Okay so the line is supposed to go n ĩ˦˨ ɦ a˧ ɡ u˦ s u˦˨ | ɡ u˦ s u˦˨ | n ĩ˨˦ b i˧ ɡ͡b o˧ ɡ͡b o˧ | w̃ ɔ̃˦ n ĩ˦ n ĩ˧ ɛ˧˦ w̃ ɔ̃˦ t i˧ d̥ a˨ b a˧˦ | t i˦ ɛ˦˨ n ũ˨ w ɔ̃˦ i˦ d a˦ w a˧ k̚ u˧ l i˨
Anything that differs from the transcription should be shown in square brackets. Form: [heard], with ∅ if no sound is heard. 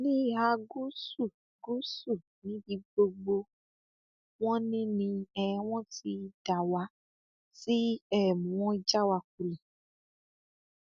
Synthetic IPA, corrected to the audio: n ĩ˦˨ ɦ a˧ ɡ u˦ s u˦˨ | ɡ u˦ s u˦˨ | n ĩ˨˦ b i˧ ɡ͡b o˧ ɡ͡b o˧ | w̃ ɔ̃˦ n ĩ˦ n ĩ˧ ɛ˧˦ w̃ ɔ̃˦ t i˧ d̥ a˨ [w] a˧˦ | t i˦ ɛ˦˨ [m] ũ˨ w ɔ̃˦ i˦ [d͡ʒ] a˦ w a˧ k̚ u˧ l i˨